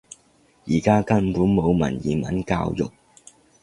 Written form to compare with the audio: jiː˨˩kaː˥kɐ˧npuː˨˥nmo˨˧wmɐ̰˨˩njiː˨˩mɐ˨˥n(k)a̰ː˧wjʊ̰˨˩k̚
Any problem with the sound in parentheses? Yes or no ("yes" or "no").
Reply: no